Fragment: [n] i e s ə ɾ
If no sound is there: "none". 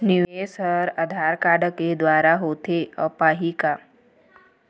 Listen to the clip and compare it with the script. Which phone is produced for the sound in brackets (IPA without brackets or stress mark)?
n